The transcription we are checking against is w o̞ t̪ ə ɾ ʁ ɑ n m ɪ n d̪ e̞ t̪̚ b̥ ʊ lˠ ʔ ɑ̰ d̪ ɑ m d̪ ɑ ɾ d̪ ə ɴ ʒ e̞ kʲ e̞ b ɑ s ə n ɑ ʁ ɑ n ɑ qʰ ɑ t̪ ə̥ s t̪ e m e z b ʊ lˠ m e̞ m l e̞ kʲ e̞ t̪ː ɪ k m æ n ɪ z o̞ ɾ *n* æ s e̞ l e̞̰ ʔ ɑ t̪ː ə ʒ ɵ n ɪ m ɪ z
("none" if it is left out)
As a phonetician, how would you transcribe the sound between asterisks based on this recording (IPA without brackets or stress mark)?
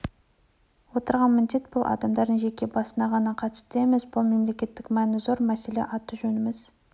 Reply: m